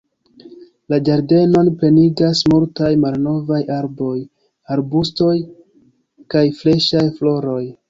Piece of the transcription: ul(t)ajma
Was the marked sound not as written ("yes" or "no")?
no